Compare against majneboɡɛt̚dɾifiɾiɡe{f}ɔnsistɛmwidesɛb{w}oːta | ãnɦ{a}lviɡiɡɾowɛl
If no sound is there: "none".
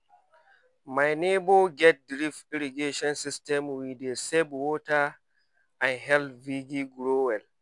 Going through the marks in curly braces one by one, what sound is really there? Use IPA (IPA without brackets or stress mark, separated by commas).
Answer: ʃ, w, ɛ